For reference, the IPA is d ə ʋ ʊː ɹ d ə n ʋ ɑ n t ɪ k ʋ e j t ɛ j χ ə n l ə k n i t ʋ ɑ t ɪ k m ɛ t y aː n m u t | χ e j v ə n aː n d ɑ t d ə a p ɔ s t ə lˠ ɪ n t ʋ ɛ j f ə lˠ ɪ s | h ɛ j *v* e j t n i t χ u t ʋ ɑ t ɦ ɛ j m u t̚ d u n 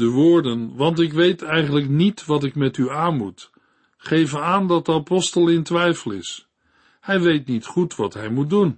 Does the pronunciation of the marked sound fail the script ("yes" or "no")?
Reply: yes